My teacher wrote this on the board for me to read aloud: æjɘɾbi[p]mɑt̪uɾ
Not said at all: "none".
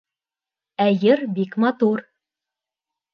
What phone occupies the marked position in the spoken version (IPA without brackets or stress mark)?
k